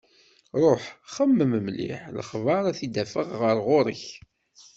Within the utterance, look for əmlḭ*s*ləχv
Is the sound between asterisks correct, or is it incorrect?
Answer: incorrect